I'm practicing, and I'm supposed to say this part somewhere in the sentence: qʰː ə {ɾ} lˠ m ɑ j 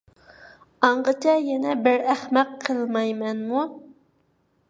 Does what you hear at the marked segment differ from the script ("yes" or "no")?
yes